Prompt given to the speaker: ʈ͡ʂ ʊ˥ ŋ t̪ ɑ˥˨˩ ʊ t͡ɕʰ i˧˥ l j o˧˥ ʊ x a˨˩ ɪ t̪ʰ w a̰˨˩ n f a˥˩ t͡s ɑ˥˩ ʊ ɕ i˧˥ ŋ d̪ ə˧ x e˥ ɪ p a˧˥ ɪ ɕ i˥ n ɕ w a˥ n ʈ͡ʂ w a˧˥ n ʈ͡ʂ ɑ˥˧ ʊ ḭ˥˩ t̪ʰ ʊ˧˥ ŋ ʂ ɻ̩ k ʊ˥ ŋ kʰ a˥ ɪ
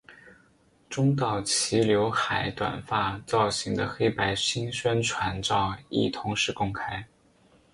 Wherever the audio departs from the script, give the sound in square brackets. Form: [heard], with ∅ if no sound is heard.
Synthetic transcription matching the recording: ʈ͡ʂ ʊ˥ ŋ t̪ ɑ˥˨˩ ʊ t͡ɕʰ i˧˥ l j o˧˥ ʊ x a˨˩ ɪ [t̪] w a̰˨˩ n f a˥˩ t͡s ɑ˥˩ ʊ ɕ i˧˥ ŋ d̪ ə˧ x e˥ ɪ p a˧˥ ɪ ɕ i˥ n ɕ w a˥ n [ʈ͡ʂʰ] w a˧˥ n ʈ͡ʂ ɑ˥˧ ʊ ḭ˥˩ t̪ʰ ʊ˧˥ ŋ ʂ ɻ̩ k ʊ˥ ŋ kʰ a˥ ɪ